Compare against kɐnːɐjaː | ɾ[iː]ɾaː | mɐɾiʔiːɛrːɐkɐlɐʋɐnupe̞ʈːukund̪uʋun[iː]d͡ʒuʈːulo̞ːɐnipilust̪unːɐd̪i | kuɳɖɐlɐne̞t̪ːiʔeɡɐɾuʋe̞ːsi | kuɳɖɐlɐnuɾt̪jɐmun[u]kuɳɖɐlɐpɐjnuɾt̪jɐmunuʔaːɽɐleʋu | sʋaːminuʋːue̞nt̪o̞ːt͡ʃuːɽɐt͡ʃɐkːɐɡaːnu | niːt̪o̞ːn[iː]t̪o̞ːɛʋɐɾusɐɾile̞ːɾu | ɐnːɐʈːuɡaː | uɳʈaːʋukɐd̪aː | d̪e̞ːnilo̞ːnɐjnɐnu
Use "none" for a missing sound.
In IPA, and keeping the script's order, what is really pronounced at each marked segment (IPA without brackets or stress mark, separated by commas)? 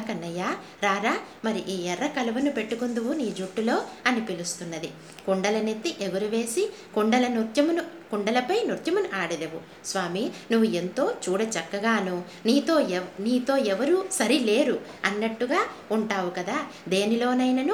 aː, iː, u, iː